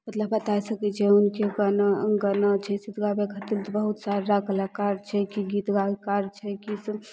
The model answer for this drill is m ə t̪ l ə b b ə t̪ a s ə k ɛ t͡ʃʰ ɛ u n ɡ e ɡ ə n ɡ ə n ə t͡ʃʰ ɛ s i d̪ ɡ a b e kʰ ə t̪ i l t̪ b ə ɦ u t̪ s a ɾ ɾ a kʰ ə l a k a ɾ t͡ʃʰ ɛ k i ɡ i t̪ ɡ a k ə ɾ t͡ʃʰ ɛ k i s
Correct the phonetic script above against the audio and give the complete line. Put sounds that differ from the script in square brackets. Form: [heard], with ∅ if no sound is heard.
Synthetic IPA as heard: m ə t̪ l ə b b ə t̪ a s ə k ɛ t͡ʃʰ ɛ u n [k] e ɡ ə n ɡ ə n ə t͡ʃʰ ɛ s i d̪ ɡ a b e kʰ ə t̪ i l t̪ b ə ɦ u t̪ s a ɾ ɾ a [k] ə l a k a ɾ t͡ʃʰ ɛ k i ɡ i t̪ ɡ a k [a] ɾ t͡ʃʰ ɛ k i s